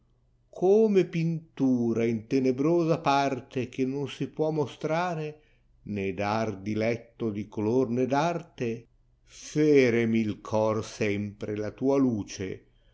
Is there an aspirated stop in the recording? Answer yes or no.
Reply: yes